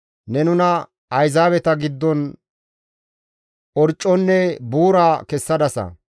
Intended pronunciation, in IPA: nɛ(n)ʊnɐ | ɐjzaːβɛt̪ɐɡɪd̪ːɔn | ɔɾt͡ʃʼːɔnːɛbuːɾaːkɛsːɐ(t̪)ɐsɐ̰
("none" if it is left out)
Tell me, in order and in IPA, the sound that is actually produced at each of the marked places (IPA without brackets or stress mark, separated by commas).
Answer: n, d̪